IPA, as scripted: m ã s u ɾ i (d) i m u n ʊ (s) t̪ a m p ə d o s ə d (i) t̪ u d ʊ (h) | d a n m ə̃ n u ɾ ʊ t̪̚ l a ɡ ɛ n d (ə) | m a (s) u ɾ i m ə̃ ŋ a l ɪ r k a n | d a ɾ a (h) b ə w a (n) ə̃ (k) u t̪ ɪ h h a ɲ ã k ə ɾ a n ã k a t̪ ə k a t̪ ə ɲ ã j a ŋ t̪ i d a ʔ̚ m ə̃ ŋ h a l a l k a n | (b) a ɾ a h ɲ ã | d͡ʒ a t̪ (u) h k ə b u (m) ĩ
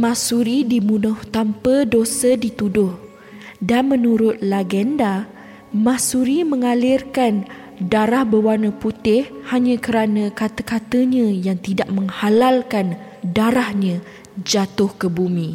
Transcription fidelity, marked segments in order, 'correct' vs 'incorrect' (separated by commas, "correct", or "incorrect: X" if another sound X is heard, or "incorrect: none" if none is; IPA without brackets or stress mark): correct, incorrect: h, correct, correct, incorrect: a, correct, correct, correct, incorrect: p, incorrect: d, incorrect: ʊ, correct